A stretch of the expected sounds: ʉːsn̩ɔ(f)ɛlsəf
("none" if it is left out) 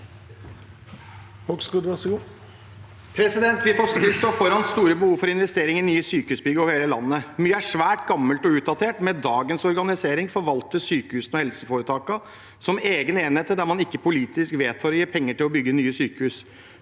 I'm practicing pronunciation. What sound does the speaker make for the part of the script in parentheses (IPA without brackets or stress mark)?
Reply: h